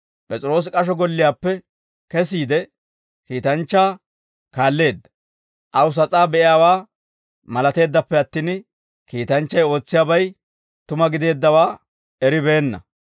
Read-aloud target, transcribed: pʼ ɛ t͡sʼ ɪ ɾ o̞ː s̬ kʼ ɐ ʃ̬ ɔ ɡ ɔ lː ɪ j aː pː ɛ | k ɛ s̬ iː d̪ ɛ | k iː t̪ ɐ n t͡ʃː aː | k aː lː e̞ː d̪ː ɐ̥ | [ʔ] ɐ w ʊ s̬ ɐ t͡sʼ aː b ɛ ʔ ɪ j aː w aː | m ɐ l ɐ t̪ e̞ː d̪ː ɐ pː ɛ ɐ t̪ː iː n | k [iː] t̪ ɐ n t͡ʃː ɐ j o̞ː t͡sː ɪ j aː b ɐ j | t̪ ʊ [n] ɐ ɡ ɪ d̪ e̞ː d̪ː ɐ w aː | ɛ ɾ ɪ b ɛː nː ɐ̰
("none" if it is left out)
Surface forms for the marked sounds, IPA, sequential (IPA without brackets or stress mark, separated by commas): ʔ, iː, m